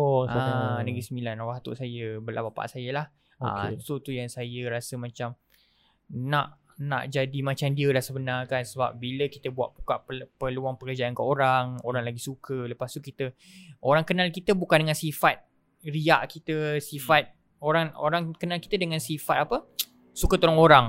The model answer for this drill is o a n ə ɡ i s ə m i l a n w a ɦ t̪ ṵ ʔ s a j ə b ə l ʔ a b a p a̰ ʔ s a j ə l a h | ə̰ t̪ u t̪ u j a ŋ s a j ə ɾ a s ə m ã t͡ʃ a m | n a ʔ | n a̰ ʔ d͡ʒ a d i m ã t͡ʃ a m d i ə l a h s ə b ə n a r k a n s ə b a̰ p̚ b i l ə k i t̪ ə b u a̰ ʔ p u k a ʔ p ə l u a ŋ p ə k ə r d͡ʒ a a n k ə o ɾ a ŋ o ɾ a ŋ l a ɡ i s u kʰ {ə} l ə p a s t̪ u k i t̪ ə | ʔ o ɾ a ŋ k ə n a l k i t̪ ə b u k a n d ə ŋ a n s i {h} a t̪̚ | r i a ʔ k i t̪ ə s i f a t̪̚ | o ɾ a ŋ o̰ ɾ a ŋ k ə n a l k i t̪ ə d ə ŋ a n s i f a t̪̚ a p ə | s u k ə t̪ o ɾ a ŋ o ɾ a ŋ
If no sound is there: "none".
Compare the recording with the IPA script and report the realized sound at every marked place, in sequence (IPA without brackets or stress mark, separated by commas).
ə, f